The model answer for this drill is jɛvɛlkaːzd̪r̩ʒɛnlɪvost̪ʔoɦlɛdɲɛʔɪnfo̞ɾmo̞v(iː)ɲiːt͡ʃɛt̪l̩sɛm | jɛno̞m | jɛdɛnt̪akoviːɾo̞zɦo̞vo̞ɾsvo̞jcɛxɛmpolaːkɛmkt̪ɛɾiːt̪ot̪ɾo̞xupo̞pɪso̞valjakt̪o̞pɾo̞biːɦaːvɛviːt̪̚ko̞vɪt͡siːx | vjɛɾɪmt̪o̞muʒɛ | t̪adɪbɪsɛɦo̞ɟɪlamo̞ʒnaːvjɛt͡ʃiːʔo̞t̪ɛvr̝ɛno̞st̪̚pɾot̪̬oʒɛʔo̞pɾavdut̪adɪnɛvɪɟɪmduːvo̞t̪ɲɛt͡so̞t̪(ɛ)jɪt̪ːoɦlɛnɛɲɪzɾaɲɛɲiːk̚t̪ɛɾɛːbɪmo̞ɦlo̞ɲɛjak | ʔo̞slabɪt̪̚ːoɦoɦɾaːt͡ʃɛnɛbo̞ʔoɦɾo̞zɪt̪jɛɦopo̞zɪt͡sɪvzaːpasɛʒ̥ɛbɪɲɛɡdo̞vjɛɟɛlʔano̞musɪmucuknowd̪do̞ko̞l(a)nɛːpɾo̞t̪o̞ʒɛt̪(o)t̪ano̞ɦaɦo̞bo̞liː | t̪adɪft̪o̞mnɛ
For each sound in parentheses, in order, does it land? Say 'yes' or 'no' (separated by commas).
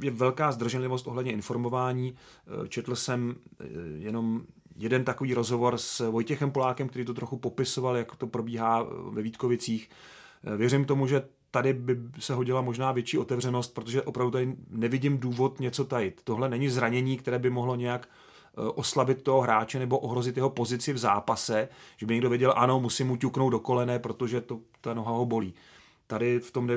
no, no, no, yes